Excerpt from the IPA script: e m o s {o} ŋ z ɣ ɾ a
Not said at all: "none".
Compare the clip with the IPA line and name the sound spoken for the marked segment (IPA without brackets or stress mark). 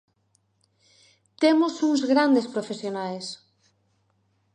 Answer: u